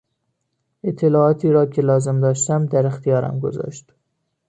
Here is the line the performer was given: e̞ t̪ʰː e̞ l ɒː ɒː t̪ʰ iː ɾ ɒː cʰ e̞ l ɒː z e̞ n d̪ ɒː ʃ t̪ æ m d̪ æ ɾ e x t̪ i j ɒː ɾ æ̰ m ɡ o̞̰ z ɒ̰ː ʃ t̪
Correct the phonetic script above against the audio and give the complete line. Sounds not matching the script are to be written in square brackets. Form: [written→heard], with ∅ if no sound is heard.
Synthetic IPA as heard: e̞ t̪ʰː e̞ l ɒː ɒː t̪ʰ iː ɾ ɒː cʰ e̞ l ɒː z e̞ [n→m] d̪ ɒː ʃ t̪ æ m d̪ æ ɾ e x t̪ i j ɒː ɾ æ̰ m ɡ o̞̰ z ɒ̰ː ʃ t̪